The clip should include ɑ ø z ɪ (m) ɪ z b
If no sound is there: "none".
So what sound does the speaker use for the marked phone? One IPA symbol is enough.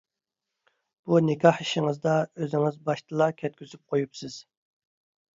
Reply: ŋ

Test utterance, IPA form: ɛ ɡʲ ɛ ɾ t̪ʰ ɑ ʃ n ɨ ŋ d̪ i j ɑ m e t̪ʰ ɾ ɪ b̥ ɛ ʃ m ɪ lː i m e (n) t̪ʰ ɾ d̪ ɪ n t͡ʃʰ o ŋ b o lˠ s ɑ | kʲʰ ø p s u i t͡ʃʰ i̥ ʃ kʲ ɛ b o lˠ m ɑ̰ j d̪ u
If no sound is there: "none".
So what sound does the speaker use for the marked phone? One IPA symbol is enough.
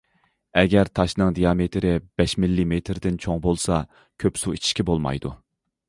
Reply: none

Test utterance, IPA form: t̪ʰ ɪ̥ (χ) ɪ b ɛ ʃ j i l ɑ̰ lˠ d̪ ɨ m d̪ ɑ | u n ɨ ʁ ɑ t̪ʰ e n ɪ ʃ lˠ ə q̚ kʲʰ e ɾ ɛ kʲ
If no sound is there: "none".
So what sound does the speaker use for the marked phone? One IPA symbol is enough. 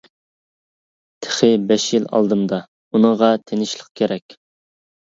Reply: χ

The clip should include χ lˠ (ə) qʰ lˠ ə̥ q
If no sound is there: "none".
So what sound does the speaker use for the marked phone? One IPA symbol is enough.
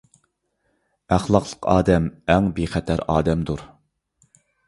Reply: ɑ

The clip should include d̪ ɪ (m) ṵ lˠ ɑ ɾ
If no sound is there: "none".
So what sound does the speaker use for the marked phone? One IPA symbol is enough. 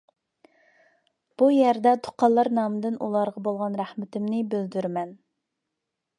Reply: n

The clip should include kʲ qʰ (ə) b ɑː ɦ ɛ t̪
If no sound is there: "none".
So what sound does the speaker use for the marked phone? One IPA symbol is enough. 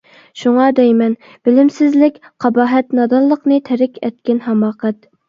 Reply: ɑ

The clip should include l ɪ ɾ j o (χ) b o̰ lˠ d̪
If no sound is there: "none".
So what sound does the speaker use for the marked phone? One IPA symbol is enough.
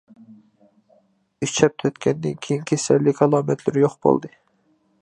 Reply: χ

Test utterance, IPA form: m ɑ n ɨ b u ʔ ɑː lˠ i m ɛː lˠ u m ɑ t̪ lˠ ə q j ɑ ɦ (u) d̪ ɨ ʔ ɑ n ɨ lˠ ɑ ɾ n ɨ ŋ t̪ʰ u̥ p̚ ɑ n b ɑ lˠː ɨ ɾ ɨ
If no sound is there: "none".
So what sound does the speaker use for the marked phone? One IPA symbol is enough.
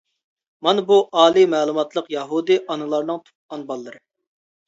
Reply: u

